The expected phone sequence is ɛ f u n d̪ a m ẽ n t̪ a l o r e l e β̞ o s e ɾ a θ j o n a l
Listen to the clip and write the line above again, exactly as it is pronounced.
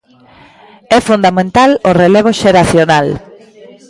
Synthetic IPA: ɛ f u n d̪ a m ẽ n t̪ a l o r e l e β̞ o ʃ e ɾ a θ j o n a l